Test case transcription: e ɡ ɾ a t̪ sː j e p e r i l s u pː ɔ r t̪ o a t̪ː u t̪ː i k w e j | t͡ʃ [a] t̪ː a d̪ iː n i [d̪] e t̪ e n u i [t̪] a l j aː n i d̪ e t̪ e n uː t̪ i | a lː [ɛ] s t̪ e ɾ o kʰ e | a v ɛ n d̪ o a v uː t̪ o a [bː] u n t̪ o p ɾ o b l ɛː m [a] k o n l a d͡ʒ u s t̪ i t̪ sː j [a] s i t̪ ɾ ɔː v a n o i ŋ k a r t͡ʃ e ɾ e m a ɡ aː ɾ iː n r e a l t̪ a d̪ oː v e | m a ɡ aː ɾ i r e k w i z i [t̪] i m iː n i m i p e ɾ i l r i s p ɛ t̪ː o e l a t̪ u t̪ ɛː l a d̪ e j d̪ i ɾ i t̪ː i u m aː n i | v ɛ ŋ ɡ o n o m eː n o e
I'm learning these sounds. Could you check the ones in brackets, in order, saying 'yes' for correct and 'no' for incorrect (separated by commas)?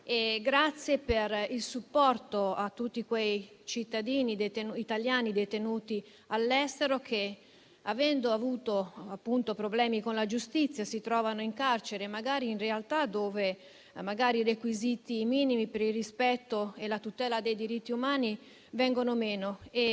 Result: no, yes, yes, yes, no, no, yes, yes